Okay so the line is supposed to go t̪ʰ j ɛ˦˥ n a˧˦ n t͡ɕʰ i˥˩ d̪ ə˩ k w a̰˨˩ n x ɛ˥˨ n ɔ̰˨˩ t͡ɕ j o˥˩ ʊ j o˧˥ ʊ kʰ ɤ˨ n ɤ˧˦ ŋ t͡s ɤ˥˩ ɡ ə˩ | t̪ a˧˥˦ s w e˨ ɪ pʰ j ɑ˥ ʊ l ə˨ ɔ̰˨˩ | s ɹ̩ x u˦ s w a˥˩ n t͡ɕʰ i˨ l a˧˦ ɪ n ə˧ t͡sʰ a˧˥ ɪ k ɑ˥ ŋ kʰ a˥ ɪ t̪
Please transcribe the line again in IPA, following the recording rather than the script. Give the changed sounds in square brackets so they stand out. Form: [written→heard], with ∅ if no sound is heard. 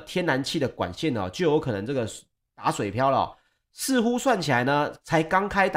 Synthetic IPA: t̪ʰ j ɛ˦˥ n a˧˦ n t͡ɕʰ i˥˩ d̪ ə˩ k w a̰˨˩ n [x→ɕ] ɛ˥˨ n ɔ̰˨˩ t͡ɕ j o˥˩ ʊ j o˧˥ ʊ kʰ ɤ˨ n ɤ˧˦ ŋ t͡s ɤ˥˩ ɡ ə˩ | t̪ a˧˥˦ s w e˨ ɪ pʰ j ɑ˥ ʊ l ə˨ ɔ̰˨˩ | s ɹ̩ x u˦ s w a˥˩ n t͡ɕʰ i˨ l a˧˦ ɪ n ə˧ t͡sʰ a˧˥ ɪ k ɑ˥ ŋ kʰ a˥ ɪ t̪